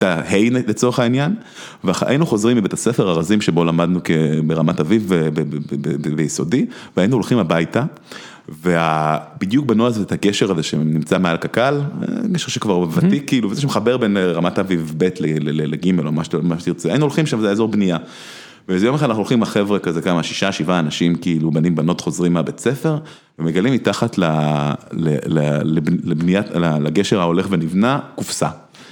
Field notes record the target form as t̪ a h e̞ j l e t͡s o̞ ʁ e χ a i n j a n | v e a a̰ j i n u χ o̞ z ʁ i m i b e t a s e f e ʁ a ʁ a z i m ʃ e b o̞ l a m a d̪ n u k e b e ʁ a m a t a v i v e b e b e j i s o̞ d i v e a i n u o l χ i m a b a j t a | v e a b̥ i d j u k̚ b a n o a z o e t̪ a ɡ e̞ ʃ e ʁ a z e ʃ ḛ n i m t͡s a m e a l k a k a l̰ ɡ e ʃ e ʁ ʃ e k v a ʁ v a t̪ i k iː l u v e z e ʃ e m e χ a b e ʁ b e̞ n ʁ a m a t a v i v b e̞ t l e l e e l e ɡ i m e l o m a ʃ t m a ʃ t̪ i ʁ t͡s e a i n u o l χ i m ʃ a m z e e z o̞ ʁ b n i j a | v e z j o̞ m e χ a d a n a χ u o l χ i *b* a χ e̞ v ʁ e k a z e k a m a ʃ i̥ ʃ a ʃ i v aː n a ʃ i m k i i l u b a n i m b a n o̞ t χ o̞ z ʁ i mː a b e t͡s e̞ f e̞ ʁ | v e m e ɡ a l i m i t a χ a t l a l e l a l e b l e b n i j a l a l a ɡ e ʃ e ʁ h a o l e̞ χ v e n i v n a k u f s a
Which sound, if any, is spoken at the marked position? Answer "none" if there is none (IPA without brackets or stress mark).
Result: m